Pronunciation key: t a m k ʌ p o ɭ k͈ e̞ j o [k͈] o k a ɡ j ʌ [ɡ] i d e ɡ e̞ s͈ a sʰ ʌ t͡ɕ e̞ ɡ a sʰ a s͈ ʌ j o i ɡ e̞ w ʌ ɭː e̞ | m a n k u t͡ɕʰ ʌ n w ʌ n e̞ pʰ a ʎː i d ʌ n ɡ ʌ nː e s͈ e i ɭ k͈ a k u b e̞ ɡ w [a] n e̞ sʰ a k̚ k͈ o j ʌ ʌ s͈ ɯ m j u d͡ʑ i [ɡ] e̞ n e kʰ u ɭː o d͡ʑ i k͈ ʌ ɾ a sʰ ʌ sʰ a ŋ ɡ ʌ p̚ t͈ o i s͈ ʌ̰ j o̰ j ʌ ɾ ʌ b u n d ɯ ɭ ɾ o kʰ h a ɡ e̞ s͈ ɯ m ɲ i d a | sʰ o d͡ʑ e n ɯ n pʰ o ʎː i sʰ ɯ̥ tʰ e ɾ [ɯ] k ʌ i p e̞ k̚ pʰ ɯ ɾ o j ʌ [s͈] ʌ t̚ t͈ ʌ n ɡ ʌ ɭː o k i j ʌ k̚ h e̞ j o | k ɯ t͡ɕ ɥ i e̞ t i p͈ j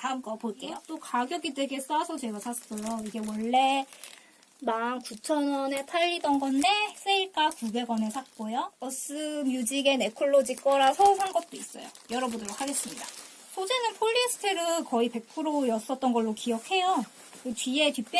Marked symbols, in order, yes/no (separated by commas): no, yes, no, yes, yes, yes